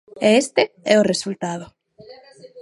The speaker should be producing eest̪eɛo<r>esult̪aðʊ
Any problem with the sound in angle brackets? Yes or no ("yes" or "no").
no